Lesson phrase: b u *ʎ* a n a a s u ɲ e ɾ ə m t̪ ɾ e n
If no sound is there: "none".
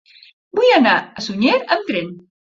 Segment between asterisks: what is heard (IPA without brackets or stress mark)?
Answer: j